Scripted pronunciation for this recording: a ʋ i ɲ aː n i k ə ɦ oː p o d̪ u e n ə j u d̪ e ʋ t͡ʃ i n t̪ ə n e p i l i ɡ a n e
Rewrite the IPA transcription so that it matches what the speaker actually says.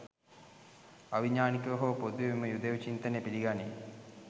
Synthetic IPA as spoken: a ʋ i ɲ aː n i k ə ɦ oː p o d̪ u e m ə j u d̪ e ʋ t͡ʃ i n t̪ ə n e p i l i ɡ a n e

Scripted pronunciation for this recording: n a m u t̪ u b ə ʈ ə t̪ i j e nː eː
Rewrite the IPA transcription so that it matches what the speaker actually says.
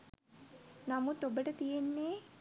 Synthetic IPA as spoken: n a m u t̪ o b ə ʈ ə t̪ i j e nː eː

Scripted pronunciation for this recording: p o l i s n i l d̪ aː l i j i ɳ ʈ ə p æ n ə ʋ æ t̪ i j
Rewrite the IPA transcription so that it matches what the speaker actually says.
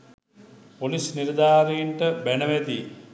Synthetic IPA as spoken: p o l i s n i ɾ d̪ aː ɾ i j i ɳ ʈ ə b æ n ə ʋ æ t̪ i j

